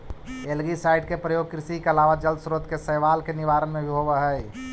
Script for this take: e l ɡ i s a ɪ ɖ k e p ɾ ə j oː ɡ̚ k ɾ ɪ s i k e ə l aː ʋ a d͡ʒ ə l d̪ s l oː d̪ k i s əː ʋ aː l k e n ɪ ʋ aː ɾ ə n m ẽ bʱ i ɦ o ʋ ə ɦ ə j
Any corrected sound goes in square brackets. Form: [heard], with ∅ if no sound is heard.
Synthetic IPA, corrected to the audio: e l ɡ i s a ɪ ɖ k e p ɾ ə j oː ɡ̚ k ɾ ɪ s i k e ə l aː ʋ a d͡ʒ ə l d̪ s [ɾ] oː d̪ k [e] s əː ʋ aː l k e n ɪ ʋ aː ɾ ə n m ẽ bʱ i ɦ o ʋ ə ɦ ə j